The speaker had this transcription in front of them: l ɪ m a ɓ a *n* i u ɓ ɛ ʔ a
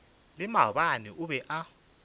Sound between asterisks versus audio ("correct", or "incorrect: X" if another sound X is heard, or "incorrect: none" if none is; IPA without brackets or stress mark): correct